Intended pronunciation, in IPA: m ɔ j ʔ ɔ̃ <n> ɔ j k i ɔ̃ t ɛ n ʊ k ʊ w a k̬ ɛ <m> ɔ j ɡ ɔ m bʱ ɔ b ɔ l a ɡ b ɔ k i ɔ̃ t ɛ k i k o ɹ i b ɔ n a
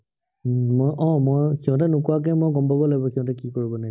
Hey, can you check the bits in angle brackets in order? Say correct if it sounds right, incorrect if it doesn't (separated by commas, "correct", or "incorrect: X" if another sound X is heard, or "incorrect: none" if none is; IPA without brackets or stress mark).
incorrect: m, correct